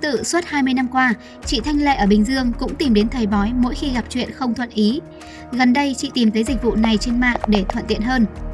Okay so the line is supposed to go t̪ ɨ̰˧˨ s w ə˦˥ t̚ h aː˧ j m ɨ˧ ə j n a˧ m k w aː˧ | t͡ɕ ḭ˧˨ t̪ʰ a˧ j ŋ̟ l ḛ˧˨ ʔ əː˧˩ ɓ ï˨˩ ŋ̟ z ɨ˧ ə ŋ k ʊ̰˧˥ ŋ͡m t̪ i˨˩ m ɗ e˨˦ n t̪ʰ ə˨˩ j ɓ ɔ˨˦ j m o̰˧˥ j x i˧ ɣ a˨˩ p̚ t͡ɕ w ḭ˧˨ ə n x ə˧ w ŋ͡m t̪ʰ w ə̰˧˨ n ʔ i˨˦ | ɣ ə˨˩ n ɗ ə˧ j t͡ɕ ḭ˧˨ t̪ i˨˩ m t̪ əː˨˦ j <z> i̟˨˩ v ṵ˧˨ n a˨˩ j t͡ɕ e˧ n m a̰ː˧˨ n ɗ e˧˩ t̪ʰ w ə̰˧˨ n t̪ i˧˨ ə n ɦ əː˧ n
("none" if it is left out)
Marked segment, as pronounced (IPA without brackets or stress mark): z